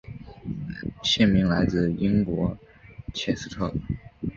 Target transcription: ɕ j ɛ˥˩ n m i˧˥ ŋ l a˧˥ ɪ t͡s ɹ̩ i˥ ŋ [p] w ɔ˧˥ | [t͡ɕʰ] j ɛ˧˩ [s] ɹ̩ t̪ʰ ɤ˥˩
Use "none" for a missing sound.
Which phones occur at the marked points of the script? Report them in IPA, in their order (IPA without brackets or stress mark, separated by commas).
k, t͡ɕʰ, s